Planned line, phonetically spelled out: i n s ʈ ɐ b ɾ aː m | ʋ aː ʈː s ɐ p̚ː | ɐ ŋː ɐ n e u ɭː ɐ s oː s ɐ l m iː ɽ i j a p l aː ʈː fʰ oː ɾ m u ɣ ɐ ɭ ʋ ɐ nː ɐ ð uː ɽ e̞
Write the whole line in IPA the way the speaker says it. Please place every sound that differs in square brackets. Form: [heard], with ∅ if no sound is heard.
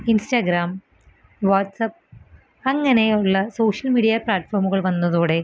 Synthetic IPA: i n s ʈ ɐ [ɡ] ɾ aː m | ʋ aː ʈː s ɐ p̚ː | ɐ ŋː ɐ n e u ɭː ɐ s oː [ʂ] ɐ l m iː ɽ i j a p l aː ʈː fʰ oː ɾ m u ɣ ɐ ɭ ʋ ɐ nː ɐ ð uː ɽ e̞